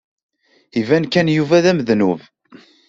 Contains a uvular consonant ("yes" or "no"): no